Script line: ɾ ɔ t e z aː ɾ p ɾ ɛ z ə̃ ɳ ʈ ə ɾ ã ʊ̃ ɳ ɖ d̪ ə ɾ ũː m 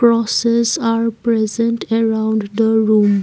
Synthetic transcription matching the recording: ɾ ɔ s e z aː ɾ p ɾ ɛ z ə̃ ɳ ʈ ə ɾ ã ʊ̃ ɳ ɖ d̪ ə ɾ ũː m